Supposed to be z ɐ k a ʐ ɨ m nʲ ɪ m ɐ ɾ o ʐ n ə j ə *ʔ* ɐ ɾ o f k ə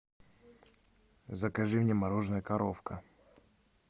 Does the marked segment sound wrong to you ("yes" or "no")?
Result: yes